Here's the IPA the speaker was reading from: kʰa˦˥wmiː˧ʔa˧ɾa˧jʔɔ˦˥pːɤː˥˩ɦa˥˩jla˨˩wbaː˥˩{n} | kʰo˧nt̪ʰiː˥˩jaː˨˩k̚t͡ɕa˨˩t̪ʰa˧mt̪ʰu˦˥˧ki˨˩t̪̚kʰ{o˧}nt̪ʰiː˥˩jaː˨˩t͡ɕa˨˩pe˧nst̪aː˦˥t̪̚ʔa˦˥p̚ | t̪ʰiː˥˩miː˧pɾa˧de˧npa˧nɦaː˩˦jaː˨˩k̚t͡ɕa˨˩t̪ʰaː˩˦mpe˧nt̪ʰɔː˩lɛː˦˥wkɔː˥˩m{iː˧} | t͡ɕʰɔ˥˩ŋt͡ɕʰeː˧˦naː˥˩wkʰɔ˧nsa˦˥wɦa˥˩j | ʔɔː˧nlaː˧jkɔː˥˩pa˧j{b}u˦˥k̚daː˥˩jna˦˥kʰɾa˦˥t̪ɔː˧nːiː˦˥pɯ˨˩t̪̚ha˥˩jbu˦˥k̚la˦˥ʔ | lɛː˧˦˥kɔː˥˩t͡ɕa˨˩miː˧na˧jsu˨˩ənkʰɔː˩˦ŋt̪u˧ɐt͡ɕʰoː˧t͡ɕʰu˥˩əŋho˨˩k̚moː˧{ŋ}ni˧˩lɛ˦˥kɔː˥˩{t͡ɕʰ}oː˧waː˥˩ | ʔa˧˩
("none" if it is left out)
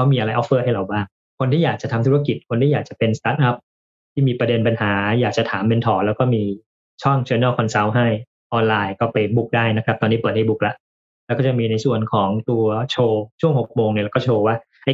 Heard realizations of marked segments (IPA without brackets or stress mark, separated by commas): ŋ, o˧, iː˧, b, ŋ, t͡ɕʰ